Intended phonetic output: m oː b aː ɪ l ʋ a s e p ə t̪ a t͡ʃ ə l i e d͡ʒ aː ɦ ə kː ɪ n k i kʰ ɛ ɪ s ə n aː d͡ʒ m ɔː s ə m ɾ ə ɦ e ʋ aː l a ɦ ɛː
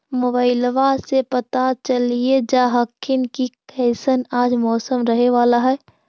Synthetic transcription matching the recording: m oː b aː ɪ l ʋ a s e p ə t̪ a t͡ʃ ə l i e d͡ʒ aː ɦ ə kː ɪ n k i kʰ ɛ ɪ s ə n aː d͡ʒ m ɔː s ə m ɾ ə ɦ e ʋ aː l a ɦ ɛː